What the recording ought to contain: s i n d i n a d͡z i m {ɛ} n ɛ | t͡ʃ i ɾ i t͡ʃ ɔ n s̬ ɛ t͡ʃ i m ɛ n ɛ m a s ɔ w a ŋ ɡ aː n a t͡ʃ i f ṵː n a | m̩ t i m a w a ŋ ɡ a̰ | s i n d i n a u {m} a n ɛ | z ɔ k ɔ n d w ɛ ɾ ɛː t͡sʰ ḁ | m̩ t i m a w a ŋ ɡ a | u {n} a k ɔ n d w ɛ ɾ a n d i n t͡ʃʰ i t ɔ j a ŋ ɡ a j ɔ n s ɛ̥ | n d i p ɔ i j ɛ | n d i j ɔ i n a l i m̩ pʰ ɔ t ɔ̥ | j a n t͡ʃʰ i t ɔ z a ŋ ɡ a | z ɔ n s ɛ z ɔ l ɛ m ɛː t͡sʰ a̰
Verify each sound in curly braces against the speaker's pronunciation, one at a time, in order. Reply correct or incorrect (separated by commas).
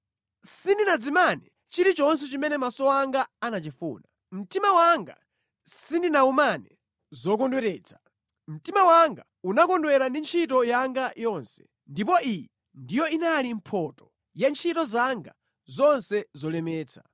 incorrect, correct, correct